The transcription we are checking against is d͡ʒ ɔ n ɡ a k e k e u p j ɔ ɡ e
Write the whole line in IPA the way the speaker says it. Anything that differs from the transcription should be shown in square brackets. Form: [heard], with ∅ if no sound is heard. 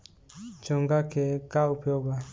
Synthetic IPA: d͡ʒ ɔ [ŋ] ɡ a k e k [a] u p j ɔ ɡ [a]